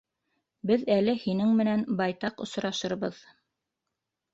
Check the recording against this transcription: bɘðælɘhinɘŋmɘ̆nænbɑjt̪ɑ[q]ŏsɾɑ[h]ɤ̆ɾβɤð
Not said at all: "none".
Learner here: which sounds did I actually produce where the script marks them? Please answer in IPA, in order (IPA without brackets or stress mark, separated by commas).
q, ʃ